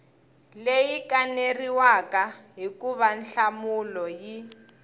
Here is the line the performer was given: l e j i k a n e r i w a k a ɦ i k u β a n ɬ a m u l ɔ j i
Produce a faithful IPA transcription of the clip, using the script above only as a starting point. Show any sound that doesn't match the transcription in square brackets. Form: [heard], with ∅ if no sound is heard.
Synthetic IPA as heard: l e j i k a n e r i w a k a ɦ i k u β a n ɬ a m u l ɔ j i